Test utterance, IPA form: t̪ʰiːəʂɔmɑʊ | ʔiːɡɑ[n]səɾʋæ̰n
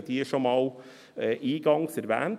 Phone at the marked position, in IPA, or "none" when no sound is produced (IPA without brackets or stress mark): ŋ